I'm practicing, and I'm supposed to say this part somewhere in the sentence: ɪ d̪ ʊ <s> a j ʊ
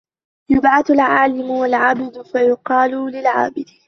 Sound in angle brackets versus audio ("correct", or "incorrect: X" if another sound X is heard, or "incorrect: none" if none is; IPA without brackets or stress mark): incorrect: f